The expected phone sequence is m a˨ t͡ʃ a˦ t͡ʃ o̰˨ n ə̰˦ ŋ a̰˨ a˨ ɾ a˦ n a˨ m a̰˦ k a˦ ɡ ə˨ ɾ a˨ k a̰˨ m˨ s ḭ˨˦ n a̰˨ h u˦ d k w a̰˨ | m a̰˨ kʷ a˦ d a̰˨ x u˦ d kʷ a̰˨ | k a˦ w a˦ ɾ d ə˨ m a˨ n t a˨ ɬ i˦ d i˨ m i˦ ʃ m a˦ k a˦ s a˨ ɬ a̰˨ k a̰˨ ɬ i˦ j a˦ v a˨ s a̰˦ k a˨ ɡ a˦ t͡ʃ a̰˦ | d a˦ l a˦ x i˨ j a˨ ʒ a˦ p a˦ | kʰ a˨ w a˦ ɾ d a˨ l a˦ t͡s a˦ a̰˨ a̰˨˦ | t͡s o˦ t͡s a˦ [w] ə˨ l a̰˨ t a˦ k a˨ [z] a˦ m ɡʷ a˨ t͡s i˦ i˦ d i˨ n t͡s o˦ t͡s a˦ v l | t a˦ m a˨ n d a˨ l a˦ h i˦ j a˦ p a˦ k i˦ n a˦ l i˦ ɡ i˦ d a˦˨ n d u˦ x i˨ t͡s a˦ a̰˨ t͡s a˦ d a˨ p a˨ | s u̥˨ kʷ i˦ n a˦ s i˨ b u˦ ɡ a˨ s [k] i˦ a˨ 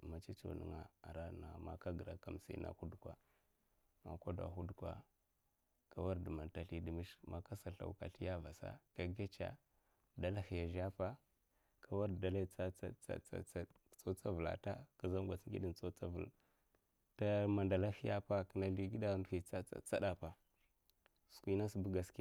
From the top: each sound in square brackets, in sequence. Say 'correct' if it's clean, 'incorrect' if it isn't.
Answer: incorrect, correct, correct

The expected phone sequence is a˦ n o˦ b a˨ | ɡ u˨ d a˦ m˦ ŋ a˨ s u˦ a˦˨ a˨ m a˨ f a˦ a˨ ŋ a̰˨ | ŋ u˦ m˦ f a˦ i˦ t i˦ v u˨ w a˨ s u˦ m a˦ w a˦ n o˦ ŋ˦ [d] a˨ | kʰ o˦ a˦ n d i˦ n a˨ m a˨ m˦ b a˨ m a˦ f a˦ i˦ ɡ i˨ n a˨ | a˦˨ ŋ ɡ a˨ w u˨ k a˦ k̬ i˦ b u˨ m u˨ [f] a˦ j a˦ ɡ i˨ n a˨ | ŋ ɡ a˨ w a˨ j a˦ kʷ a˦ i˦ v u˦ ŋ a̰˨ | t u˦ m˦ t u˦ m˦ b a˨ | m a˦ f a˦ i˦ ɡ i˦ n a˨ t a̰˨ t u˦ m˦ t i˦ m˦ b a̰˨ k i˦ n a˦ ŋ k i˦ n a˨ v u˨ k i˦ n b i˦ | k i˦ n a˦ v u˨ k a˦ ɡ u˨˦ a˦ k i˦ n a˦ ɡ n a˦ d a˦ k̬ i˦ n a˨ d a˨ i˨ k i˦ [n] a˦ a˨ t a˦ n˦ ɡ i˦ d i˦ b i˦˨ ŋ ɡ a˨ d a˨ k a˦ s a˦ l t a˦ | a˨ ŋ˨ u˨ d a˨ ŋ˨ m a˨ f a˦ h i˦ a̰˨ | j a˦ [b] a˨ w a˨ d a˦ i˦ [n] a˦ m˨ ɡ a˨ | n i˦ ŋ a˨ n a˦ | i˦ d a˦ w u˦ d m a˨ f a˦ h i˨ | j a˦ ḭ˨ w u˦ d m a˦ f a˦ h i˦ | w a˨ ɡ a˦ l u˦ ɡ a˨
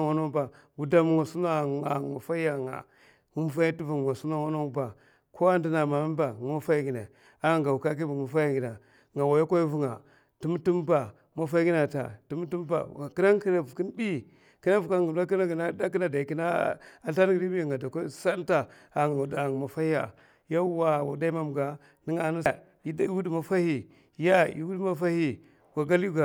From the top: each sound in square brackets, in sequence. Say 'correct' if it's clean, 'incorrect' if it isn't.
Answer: incorrect, correct, correct, incorrect, incorrect

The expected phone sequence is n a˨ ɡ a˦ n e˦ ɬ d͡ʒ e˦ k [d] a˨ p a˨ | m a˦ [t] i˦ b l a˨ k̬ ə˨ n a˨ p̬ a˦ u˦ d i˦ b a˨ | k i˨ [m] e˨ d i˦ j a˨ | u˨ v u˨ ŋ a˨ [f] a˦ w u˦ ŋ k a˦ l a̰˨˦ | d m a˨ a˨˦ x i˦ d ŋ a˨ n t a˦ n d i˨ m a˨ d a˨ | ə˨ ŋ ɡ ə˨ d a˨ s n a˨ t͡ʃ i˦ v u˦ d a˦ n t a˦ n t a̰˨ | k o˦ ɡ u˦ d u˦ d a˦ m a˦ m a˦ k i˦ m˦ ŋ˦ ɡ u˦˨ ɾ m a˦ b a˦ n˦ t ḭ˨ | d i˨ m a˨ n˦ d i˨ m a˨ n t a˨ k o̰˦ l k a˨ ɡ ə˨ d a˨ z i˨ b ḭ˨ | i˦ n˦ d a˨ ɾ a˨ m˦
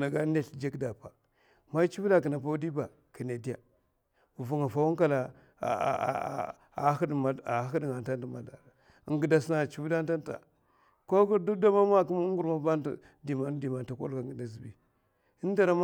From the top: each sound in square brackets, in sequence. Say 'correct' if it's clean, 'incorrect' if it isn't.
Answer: correct, incorrect, incorrect, correct

